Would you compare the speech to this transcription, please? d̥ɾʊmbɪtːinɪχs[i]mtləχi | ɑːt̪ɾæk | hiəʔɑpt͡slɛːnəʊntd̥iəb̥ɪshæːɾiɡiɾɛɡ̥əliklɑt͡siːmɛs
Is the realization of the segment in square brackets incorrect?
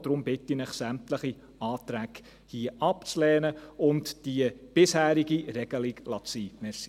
yes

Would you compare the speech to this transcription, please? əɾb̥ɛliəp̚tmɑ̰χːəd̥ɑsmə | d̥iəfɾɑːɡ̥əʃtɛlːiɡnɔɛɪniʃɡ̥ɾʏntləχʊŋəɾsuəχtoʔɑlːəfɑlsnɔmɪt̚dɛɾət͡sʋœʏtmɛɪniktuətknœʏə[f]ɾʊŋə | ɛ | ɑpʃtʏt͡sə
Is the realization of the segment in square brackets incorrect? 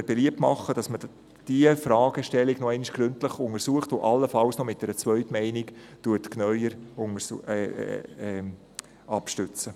yes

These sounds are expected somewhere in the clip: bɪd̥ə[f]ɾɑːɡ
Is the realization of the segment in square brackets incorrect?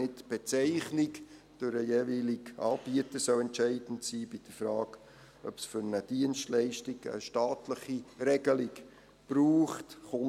no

